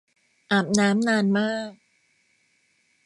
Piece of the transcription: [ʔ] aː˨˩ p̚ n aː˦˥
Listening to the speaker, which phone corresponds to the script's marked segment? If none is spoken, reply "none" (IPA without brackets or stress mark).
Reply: ʔ